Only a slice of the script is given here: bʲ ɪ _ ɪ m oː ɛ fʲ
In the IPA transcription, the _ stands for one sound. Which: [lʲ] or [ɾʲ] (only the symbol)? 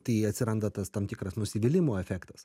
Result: lʲ